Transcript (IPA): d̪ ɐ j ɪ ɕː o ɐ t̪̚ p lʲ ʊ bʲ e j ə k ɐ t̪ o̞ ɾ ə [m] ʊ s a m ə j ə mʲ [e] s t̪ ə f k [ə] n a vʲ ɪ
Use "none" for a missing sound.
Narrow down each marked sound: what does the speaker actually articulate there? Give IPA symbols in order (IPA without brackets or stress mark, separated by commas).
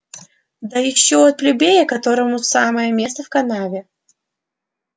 m, e, ɐ